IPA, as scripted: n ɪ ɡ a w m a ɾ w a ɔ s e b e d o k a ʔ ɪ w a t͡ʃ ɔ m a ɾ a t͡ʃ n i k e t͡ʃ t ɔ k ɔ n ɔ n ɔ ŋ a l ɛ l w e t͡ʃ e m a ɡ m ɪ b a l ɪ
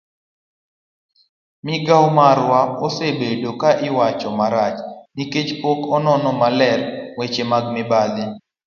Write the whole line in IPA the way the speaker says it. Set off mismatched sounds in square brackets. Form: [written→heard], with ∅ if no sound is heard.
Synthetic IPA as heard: [n→m] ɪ ɡ a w m a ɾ w a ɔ s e b e d o k a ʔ ɪ w a t͡ʃ ɔ m a ɾ a t͡ʃ n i k e t͡ʃ [t→p] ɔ k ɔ n ɔ n ɔ [ŋ→m] a l ɛ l w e t͡ʃ e m a ɡ m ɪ b a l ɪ